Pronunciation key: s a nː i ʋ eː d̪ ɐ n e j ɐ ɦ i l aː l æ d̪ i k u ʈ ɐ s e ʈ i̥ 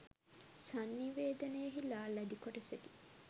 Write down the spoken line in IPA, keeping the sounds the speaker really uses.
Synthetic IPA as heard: s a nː i ʋ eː d̪ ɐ n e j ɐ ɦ i l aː l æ d̪ i k o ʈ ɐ s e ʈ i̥